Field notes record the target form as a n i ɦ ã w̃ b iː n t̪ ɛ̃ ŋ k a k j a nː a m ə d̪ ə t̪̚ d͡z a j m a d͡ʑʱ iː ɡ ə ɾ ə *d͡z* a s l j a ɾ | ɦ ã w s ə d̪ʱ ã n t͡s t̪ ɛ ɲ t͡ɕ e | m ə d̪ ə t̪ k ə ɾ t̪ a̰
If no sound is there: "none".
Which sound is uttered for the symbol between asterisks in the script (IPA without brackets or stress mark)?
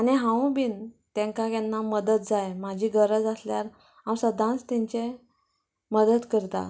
d͡z